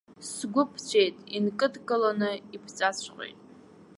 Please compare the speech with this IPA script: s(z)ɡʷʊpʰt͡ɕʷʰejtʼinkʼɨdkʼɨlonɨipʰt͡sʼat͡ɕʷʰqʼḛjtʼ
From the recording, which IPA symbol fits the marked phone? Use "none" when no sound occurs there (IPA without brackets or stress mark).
s